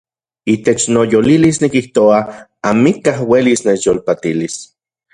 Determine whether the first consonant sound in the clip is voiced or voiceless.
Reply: voiceless